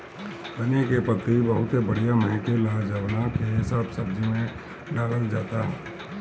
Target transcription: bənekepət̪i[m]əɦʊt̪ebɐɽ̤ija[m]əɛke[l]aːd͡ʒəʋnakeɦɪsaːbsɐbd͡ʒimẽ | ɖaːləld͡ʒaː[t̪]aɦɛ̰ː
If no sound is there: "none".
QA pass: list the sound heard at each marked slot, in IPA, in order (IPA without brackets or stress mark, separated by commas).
b, m, l, t̪